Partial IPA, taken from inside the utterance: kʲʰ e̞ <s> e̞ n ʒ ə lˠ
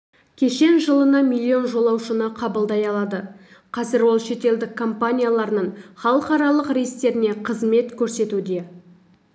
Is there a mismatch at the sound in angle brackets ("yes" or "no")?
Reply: yes